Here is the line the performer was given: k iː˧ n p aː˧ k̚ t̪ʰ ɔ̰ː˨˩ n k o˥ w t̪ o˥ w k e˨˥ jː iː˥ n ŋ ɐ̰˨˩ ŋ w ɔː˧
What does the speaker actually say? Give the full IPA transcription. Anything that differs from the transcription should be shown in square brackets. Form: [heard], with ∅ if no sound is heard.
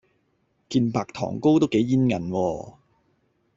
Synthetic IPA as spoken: k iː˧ n p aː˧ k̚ t̪ʰ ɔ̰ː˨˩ [ŋ] k o˥ w t̪ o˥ w k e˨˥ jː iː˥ n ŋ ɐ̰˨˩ [n] w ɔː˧